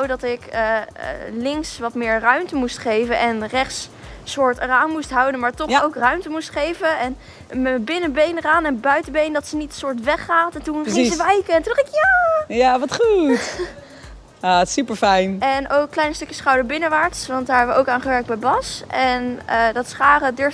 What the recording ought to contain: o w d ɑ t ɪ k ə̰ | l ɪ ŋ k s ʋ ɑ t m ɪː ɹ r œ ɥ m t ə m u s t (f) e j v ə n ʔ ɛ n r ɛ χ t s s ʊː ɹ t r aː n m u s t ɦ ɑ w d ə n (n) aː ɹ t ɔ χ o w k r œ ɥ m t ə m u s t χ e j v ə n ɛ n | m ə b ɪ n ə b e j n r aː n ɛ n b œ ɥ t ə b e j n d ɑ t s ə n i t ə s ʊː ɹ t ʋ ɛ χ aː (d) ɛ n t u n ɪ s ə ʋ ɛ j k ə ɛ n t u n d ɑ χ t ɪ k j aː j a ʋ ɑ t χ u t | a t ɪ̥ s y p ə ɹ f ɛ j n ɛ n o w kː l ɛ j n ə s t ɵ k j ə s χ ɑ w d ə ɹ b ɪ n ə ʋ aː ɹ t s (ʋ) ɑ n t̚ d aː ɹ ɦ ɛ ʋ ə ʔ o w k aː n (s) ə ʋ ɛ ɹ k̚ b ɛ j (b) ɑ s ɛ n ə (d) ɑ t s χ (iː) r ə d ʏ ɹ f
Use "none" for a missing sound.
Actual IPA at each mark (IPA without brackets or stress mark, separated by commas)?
χ, m, t, ʋ, χ, b, d, aː